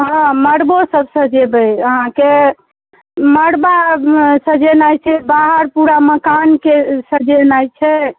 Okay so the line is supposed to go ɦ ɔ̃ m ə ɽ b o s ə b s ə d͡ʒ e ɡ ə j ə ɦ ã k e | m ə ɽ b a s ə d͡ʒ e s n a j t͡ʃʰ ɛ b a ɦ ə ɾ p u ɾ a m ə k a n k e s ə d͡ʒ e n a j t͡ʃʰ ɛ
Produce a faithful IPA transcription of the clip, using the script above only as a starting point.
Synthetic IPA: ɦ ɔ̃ m ə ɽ b o s ə b s ə d͡ʒ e b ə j ə ɦ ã k e | m ə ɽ b a s ə d͡ʒ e n a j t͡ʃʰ ɛ b a ɦ ə ɾ p u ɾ a m ə k a n k e s ə d͡ʒ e n a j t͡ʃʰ ɛ